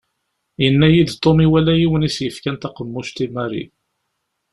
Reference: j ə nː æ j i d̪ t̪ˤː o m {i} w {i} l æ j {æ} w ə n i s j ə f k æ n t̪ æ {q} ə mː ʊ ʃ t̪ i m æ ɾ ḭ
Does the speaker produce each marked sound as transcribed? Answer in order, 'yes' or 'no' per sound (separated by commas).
yes, no, no, yes